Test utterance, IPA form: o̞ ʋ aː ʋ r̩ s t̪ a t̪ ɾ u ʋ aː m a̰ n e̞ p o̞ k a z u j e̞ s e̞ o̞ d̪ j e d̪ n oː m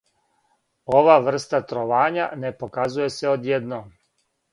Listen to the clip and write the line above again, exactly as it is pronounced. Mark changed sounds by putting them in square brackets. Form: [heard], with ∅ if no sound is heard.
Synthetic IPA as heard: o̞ ʋ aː ʋ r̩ s t̪ a t̪ ɾ [o] ʋ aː [ɲ] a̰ n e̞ p o̞ k a z u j e̞ s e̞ o̞ d̪ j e d̪ n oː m

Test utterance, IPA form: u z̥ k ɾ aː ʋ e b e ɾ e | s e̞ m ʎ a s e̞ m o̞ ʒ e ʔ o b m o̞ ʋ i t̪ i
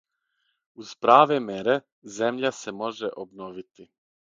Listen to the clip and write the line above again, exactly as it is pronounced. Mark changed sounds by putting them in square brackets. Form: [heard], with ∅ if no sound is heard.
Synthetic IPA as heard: u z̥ [p] ɾ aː ʋ e [m] e ɾ e | [z] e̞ m ʎ a s e̞ m o̞ ʒ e ʔ o b [n] o̞ ʋ i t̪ i

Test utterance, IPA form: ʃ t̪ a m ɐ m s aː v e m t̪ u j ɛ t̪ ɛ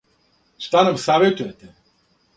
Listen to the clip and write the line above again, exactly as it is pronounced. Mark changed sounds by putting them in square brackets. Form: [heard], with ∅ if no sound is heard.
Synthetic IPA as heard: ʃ t̪ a [n] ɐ m s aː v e [∅] t̪ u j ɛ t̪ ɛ

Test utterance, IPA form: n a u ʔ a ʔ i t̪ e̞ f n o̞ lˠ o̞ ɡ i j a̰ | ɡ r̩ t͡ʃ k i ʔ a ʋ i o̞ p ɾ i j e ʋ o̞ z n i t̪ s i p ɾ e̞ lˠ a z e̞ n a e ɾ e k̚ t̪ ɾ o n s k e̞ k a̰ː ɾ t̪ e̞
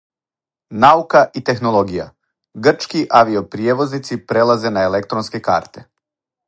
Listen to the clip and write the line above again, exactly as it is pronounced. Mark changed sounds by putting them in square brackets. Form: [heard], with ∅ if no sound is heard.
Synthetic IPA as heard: n a u [k] a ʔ i t̪ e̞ [x] n o̞ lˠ o̞ ɡ i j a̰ | ɡ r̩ t͡ʃ k i ʔ a ʋ i o̞ p ɾ i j e ʋ o̞ z n i t̪ s i p ɾ e̞ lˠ a z e̞ n a e [l] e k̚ t̪ ɾ o n s k e̞ k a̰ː ɾ t̪ e̞

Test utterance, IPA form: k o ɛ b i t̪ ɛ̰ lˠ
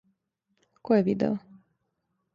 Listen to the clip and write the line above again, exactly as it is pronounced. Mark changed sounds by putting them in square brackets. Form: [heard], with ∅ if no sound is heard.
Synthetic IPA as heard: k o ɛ [v] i [d̪] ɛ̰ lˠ

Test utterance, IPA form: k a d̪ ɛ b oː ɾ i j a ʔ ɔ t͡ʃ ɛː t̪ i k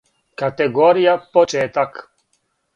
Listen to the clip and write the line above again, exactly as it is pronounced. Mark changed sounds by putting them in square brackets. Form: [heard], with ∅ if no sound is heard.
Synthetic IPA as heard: k a [t̪] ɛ [ɡ] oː ɾ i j a [p] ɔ t͡ʃ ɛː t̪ [a] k

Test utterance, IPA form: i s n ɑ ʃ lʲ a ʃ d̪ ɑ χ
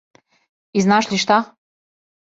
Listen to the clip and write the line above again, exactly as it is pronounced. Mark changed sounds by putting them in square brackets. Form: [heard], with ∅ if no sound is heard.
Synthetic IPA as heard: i [z] n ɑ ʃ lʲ [i] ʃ [t̪] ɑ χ

